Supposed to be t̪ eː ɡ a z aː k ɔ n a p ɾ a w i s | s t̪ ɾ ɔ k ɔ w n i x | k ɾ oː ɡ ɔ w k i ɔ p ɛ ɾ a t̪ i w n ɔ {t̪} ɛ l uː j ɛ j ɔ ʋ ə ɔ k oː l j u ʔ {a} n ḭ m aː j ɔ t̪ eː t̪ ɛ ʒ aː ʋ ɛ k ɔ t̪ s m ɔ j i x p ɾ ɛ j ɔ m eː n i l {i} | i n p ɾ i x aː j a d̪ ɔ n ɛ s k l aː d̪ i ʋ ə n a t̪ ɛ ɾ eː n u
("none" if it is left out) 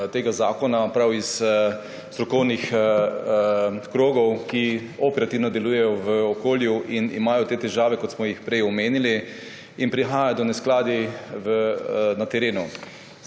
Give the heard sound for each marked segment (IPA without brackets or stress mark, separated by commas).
d̪, i, i